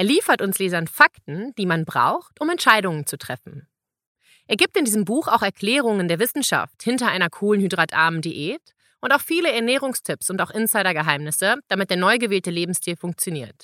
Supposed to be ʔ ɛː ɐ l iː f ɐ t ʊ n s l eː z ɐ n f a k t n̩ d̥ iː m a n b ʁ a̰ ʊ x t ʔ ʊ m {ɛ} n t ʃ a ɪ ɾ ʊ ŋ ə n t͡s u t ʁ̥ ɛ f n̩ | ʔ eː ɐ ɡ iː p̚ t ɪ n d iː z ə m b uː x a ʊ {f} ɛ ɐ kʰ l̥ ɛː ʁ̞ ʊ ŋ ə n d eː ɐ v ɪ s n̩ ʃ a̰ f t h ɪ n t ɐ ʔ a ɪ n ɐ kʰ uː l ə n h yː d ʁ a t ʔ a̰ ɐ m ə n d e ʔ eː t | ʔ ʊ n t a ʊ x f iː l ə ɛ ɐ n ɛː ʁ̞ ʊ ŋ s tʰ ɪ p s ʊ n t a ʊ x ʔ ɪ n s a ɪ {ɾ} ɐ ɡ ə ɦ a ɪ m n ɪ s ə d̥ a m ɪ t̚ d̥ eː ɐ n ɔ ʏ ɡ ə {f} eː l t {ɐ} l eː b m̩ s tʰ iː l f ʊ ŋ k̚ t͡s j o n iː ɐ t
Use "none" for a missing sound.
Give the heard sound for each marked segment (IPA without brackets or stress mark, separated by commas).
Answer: ɛ, x, ɾ, v, ə